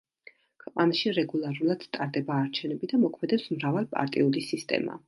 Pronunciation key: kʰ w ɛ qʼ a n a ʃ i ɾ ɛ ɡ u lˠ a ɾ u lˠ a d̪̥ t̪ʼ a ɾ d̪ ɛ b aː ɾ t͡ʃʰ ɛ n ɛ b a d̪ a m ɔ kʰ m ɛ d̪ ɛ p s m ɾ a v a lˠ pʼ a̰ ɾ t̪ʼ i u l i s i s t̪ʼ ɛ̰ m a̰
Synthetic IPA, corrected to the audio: kʰ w ɛ qʼ a n a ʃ i ɾ ɛ ɡ u lˠ a ɾ u lˠ a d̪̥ t̪ʼ a ɾ d̪ ɛ b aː ɾ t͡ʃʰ ɛ n ɛ b i d̪ a m ɔ kʰ m ɛ d̪ ɛ p s m ɾ a v a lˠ pʼ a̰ ɾ t̪ʼ i u l i s i s t̪ʼ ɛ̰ m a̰

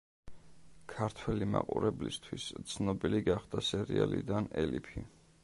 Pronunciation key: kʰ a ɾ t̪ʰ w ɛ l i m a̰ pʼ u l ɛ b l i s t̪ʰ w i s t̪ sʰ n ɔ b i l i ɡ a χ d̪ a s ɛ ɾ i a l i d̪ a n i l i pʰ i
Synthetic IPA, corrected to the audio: kʰ a ɾ t̪ʰ w ɛ l i m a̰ qʼ u ɾ ɛ b l i s t̪ʰ w i s t̪ sʰ n ɔ b i l i ɡ a χ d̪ a s ɛ ɾ i a l i d̪ a n ɛ l i pʰ i

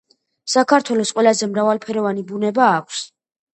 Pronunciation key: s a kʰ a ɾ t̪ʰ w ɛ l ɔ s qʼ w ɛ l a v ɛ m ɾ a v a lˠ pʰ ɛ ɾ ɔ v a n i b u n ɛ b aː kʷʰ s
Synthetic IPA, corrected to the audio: s a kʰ a ɾ t̪ʰ w ɛ l ɔ s qʼ w ɛ l a z ɛ m ɾ a v a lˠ pʰ ɛ ɾ ɔ v a n i b u n ɛ b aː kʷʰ s

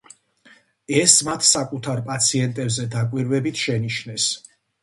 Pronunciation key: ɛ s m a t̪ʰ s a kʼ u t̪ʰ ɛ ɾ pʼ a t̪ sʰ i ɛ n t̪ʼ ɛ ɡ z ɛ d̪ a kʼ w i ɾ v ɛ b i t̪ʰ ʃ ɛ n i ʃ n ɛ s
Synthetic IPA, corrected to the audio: ɛ s m a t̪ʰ s a kʼ u t̪ʰ a ɾ pʼ a t̪ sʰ i ɛ n t̪ʼ ɛ b z ɛ d̪ a kʼ w i ɾ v ɛ b i t̪ʰ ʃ ɛ n i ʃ n ɛ s

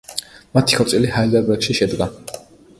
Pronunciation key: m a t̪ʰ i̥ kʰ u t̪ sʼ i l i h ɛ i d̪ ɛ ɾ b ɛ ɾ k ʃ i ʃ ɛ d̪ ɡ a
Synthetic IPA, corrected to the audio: m a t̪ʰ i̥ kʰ ɔ t̪ sʼ i l i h a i d̪ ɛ ɾ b ɛ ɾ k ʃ i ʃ ɛ d̪ ɡ a

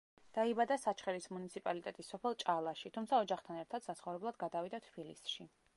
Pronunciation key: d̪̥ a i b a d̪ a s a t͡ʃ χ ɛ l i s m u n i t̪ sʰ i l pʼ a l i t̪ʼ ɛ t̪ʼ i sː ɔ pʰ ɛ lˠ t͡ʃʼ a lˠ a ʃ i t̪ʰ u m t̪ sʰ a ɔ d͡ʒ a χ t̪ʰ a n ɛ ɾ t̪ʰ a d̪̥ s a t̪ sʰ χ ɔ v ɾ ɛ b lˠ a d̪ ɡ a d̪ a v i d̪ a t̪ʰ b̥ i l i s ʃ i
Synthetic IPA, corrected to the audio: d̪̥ a i b a d̪ a s a t͡ʃ χ ɛ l i s m u n i t̪ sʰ i pʼ a l i t̪ʼ ɛ t̪ʼ i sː ɔ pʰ ɛ lˠ t͡ʃʼ a lˠ a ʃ i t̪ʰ u m t̪ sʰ a ɔ d͡ʒ a χ t̪ʰ a n ɛ ɾ t̪ʰ a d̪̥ s a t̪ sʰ χ ɔ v ɾ ɛ b lˠ a d̪ ɡ a d̪ a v i d̪ a t̪ʰ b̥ i l i s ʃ i

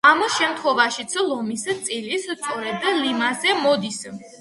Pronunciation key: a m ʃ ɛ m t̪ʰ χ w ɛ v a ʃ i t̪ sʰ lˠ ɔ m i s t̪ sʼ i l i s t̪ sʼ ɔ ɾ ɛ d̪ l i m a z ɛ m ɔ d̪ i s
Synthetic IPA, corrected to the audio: a m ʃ ɛ m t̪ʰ χ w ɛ v a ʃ i t̪ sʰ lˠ ɔ m i s t̪ sʼ i l i s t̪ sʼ ɔ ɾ ɛ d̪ l i m a z ɛ m ɔ d̪ i s

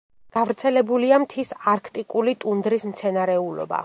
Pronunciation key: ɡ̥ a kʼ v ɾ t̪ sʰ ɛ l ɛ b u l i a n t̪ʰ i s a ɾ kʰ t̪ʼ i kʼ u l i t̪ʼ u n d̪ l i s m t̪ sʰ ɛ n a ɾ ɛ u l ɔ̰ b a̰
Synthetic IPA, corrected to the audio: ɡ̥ a v ɾ t̪ sʰ ɛ l ɛ b u l i a m t̪ʰ i s a ɾ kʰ t̪ʼ i kʼ u l i t̪ʼ u n d̪ ɾ i s m t̪ sʰ ɛ n a ɾ ɛ u l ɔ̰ b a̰

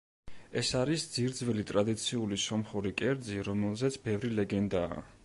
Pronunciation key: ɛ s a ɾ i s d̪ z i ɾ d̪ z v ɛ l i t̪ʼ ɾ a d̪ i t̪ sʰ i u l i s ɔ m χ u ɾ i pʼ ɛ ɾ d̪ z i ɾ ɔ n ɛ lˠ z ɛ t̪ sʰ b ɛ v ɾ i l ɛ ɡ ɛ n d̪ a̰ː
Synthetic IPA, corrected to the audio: ɛ s a ɾ i s d̪ z i ɾ d̪ z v ɛ l i t̪ʼ ɾ a d̪ i t̪ sʰ i u l i s ɔ m χ u ɾ i kʼ ɛ ɾ d̪ z i ɾ ɔ m ɛ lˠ z ɛ t̪ sʰ b ɛ v ɾ i l ɛ ɡ ɛ n d̪ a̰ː

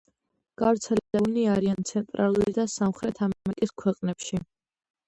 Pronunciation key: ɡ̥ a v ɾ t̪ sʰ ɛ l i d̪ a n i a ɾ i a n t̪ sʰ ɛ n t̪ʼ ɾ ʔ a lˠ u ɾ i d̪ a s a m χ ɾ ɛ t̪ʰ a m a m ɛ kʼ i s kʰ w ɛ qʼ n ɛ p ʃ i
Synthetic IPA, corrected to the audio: ɡ̥ a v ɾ t̪ sʰ ɛ l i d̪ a n i a ɾ i a n t̪ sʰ ɛ n t̪ʼ ɾ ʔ a lˠ u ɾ i d̪ a s a m χ ɾ ɛ t̪ʰ a m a m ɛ kʼ i s kʰ w ɛ qʼ n ɛ p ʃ i

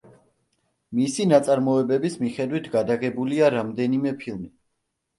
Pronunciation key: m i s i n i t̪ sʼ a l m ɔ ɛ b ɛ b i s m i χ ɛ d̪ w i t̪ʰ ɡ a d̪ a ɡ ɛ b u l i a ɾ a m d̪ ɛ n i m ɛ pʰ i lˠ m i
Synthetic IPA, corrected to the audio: m i s i n a t̪ sʼ a ɾ m ɔ ɛ b ɛ b i s m i χ ɛ d̪ w i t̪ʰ ɡ a d̪ a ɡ ɛ b u l i a ɾ a m d̪ ɛ n i m ɛ pʰ i lˠ m i

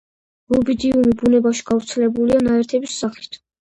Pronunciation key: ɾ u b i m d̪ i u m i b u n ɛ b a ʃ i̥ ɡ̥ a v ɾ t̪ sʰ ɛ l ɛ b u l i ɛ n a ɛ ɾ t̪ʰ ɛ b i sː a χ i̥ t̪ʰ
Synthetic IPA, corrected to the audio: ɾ u b i d̪ i u m i b u n ɛ b a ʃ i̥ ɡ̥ a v ɾ t̪ sʰ ɛ l ɛ b u l i a n a ɛ ɾ t̪ʰ ɛ b i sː a χ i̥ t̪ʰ

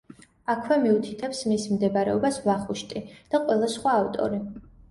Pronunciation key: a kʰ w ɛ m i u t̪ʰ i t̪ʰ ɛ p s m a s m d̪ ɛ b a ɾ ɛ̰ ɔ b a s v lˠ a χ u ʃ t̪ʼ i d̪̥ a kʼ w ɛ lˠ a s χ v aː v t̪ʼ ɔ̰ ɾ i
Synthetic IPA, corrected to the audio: a kʰ w ɛ m i u t̪ʰ i t̪ʰ ɛ p s m i s m d̪ ɛ b a ɾ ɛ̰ ɔ b a s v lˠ a χ u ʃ t̪ʼ i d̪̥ a qʼ w ɛ lˠ a s χ w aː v t̪ʼ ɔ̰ ɾ i

